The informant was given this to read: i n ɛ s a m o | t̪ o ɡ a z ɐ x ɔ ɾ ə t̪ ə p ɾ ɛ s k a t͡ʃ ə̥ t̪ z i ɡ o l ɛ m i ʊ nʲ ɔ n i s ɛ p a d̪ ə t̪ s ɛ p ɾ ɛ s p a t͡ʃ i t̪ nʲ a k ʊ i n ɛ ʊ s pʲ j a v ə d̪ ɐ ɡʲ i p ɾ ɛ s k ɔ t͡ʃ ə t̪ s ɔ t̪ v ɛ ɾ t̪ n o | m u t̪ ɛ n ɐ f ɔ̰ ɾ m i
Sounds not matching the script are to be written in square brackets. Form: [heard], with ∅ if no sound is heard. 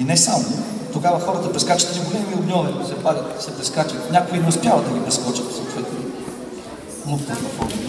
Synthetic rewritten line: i n ɛ s a m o | t̪ o ɡ a [v] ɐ x ɔ ɾ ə t̪ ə p ɾ ɛ s k a t͡ʃ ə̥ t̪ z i ɡ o l ɛ m i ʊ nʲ ɔ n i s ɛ p a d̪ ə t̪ s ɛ p ɾ ɛ s [k] a t͡ʃ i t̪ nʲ a k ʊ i n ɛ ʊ s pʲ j a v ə d̪ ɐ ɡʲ i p ɾ ɛ s k ɔ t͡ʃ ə t̪ s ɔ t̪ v ɛ [∅] t̪ n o | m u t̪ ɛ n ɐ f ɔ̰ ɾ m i